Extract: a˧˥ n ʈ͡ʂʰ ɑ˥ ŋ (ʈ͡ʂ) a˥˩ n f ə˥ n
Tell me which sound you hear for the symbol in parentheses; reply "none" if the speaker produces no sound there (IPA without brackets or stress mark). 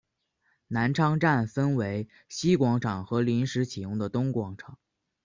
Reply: ʈ͡ʂ